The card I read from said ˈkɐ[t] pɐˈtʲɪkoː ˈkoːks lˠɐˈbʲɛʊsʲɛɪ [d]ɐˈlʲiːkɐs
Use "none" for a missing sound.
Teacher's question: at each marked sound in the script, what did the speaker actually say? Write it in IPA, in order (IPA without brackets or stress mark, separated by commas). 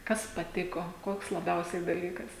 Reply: s, d